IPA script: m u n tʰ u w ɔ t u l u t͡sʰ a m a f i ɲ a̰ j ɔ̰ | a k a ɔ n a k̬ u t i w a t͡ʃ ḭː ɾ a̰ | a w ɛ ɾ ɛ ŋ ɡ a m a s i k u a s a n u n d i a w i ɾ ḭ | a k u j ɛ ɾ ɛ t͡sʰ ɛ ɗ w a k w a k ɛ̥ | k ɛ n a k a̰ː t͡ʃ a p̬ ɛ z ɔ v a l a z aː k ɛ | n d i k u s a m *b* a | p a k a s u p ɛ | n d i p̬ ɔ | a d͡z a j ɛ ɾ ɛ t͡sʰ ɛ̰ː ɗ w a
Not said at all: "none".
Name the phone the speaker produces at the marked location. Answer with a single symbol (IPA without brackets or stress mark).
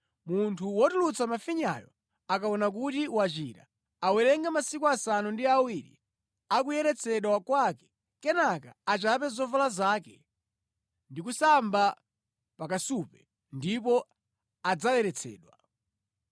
b